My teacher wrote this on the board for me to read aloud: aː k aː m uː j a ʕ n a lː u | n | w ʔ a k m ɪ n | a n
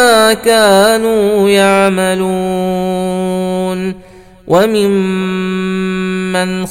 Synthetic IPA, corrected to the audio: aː k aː n uː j a ʕ m a l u | n | w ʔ a m ɪ m | a n